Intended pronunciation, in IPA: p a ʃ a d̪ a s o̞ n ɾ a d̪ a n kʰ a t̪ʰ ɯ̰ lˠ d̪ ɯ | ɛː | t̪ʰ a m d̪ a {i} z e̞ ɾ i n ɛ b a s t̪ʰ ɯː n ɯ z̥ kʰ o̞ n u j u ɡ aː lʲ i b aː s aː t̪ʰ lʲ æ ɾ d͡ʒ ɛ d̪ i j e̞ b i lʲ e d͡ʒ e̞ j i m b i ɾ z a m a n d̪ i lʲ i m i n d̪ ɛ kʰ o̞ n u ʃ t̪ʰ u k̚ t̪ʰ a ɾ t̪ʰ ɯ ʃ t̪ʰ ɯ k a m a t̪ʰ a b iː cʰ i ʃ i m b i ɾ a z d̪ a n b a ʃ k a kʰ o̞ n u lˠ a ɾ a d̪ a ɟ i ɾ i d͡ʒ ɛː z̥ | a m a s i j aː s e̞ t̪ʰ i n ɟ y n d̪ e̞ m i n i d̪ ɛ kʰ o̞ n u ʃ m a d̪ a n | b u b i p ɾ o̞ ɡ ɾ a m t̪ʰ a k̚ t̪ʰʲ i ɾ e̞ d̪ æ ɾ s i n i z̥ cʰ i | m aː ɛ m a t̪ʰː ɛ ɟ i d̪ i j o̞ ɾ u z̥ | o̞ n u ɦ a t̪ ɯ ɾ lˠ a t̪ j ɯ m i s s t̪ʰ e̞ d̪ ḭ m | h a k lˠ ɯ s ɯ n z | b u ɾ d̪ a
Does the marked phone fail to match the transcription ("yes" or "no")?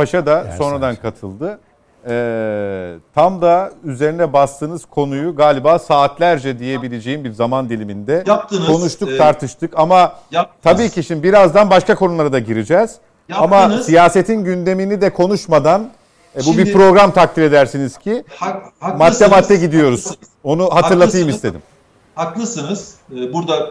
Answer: yes